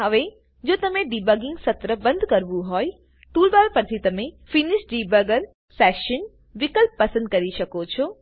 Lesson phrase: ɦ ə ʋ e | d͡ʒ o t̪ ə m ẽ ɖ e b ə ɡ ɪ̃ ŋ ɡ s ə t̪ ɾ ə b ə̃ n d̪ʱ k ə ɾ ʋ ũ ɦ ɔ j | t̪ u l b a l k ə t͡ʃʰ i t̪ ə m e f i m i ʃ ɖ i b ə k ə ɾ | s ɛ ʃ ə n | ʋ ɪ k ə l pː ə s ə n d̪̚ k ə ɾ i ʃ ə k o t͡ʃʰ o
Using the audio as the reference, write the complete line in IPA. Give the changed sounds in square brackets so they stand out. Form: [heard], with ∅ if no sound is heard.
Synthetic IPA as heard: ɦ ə ʋ e | d͡ʒ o t̪ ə m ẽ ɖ [i] b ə ɡ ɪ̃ ŋ ɡ s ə t̪ ɾ ə b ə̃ n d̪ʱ k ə ɾ ʋ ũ ɦ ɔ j | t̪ u l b a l [p] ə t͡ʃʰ i t̪ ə m e f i [n] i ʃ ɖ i b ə [ɡ] ə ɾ | s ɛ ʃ ə n | ʋ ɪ k ə l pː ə s ə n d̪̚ k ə ɾ i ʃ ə k o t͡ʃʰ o